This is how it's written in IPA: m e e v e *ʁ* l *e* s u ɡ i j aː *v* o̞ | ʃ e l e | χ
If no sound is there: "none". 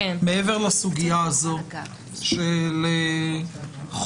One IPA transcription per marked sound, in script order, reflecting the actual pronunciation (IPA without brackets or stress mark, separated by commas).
ʁ, a, z